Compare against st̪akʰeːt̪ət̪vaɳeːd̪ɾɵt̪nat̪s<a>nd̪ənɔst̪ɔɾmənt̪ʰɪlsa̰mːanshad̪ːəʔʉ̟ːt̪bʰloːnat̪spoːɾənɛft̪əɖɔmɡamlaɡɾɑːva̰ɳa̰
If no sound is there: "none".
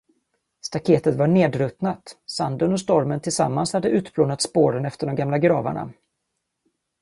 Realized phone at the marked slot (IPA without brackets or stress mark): a